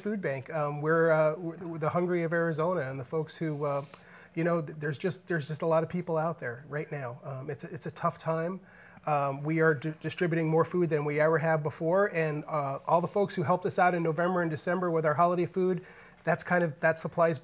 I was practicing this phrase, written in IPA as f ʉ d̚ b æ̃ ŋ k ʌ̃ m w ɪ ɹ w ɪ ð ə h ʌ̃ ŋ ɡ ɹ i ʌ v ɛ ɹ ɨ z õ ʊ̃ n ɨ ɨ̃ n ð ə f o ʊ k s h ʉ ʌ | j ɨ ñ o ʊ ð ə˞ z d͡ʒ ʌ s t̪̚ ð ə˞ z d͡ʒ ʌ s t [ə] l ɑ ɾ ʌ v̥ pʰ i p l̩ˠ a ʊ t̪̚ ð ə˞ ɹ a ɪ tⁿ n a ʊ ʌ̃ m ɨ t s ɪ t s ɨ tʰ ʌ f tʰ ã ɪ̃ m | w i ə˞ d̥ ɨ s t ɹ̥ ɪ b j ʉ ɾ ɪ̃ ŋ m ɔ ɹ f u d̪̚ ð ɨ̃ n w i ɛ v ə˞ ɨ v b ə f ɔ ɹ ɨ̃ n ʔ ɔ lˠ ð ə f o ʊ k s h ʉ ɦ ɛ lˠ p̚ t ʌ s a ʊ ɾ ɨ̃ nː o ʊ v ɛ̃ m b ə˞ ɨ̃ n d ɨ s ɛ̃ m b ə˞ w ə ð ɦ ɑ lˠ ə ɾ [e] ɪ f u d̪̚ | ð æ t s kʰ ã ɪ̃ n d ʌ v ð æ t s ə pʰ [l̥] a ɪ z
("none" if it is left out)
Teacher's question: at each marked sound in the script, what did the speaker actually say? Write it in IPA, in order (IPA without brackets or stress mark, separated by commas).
ə, e, l̥